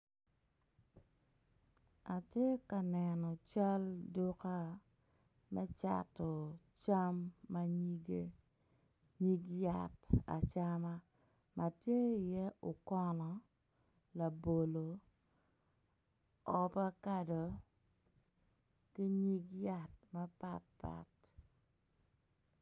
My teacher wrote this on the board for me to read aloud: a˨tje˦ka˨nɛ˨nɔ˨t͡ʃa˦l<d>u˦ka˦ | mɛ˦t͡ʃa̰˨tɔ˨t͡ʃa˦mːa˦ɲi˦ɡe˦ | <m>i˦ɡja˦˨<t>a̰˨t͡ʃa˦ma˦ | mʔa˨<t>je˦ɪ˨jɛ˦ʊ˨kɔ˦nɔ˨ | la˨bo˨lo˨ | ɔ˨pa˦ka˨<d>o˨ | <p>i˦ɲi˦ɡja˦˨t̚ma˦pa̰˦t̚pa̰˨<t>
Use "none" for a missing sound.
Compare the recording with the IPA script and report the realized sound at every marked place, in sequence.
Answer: d, ɲ, t, t, d, k, t

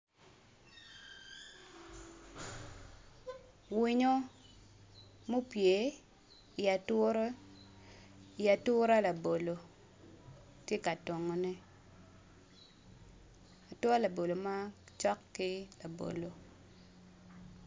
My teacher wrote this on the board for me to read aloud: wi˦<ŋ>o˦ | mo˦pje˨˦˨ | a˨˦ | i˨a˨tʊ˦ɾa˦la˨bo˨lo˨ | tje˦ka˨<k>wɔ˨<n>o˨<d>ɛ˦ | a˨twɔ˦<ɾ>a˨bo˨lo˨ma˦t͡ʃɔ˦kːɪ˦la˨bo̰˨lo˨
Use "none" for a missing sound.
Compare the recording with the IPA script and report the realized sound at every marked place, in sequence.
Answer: ɲ, t, ŋ, n, l

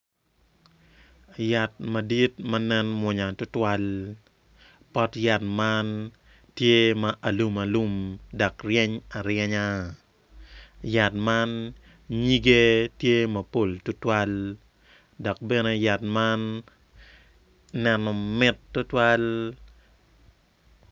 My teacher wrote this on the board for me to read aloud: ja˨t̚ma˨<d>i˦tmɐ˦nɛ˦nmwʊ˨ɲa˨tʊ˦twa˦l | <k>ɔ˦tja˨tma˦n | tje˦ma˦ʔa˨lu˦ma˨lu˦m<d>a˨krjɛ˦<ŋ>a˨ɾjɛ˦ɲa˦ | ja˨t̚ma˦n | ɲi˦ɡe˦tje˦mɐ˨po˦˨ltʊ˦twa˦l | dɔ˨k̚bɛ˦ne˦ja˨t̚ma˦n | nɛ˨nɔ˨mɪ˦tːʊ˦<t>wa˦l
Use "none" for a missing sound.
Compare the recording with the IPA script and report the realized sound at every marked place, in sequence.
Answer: d, p, d, ɲ, t

